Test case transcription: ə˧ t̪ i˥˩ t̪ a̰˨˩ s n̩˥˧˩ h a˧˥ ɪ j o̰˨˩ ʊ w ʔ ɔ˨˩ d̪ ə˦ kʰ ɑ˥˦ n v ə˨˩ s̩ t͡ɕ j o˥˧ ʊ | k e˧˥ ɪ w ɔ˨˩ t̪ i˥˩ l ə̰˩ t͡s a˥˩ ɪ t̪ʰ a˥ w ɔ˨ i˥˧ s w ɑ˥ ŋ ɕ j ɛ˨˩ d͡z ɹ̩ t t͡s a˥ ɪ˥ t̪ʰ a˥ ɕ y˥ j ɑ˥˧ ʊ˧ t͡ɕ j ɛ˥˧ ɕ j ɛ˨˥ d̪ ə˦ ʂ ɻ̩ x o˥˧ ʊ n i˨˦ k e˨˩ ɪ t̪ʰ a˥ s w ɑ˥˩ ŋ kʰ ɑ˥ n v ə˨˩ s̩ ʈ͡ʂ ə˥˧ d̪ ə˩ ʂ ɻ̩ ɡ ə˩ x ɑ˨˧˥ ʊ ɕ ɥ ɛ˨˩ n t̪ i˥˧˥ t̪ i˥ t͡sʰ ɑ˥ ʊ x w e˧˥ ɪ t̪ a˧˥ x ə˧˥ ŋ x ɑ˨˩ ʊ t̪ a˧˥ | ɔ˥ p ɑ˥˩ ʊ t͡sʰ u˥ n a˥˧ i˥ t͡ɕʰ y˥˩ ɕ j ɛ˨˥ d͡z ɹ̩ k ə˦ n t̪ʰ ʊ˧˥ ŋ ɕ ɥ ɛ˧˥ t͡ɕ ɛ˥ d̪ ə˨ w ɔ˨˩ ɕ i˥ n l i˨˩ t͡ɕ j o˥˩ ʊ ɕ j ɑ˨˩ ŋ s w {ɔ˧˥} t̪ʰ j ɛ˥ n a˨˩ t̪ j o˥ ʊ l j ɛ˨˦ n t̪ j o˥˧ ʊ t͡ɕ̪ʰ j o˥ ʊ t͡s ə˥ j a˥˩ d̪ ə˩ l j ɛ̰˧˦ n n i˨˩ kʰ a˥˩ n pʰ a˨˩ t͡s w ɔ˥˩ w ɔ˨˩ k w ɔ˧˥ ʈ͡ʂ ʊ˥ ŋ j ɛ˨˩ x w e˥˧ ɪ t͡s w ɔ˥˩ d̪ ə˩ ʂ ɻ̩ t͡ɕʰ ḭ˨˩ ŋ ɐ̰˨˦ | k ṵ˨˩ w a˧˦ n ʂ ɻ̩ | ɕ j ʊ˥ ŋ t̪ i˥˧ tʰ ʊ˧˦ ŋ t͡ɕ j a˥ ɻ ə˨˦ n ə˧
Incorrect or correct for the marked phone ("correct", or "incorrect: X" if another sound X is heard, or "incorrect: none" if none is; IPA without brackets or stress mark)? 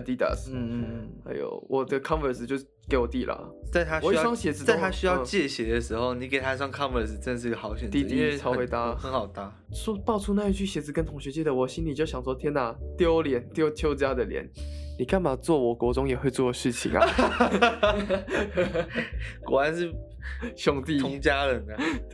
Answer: incorrect: ɔ˥